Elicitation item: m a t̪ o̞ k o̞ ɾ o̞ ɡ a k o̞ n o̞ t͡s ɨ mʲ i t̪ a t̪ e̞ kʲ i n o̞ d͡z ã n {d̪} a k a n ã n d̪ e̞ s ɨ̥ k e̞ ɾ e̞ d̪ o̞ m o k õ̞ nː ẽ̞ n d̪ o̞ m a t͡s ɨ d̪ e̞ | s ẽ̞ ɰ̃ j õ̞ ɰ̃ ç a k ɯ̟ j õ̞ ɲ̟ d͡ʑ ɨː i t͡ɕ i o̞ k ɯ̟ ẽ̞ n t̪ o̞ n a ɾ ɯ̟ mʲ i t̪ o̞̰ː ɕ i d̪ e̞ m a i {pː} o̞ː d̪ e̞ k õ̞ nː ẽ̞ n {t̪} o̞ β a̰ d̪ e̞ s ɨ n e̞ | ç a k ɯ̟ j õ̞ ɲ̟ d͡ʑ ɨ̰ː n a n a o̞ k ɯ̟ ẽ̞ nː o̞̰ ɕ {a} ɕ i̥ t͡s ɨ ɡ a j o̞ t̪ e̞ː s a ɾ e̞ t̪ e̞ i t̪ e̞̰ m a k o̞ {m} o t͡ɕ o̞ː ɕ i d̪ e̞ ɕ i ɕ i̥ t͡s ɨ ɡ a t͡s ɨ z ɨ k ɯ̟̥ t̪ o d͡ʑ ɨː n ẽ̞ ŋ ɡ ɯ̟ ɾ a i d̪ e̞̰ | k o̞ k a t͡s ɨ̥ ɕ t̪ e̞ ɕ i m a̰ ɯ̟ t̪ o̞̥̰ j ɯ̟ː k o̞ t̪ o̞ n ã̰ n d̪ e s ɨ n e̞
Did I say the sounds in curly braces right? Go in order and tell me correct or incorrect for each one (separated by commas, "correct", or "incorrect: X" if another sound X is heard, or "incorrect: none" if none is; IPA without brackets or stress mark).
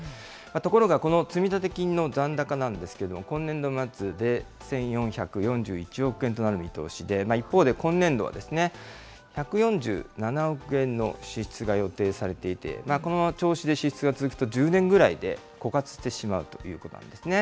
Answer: correct, correct, incorrect: d̪, incorrect: i, incorrect: n